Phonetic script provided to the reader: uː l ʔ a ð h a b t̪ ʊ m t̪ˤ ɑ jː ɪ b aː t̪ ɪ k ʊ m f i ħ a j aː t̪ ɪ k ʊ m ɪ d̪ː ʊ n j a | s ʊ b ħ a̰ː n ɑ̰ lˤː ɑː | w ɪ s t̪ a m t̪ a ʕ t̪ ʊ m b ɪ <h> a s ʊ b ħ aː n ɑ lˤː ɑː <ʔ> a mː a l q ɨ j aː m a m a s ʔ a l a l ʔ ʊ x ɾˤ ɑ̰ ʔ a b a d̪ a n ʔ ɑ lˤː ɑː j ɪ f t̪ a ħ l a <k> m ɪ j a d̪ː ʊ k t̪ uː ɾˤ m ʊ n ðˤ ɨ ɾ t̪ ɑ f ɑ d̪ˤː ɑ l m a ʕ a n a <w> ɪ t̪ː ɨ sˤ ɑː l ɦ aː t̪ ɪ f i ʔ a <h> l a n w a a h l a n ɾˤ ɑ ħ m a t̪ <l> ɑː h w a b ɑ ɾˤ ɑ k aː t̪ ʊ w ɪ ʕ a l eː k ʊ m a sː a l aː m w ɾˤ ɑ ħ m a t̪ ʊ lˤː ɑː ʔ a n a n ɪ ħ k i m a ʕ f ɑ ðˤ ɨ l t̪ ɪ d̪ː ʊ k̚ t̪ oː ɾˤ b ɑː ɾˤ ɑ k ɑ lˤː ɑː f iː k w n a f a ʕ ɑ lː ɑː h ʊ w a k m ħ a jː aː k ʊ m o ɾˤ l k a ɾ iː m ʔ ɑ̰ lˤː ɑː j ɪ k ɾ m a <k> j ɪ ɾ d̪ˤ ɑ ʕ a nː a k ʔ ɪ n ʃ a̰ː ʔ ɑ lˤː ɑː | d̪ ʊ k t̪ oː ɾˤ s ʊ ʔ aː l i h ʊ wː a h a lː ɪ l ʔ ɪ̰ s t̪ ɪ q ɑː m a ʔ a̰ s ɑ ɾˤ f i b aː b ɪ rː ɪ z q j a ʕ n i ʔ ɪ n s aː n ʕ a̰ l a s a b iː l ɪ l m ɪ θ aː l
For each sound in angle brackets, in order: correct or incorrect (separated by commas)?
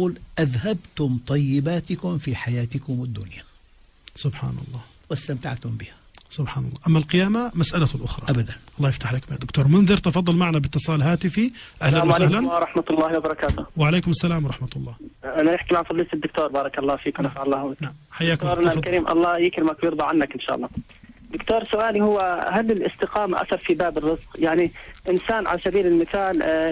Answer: correct, correct, correct, incorrect, correct, incorrect, correct